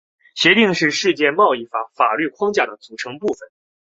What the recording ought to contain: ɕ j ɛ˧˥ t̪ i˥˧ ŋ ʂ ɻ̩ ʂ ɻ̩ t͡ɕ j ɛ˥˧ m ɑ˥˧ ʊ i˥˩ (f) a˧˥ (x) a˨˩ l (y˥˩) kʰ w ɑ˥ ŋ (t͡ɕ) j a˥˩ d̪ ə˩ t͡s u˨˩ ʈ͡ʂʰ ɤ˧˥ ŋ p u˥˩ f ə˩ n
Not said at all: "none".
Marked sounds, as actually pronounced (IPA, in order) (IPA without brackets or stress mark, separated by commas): f, f, y˥˩, t͡ɕ